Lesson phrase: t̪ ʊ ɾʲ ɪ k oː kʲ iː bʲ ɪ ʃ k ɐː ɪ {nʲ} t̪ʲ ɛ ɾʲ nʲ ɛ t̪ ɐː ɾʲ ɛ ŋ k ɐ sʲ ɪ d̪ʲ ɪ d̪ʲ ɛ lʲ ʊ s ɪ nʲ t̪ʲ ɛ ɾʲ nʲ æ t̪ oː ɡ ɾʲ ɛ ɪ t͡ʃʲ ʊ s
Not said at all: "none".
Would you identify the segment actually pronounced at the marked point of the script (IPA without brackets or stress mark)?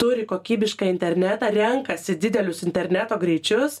nʲ